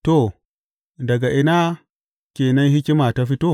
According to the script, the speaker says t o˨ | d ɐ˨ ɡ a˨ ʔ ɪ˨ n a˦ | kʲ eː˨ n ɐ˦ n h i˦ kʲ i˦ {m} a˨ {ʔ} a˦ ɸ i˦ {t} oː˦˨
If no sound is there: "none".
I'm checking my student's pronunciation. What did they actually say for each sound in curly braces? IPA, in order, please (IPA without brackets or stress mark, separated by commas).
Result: m, t, t